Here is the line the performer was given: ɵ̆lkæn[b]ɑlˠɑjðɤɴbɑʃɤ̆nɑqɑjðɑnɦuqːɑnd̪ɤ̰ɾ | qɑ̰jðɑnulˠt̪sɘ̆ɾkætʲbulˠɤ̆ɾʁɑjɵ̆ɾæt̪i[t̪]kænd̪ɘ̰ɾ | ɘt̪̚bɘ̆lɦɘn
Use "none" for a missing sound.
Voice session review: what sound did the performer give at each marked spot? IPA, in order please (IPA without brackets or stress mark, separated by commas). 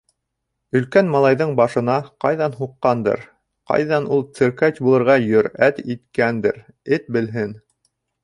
m, t̪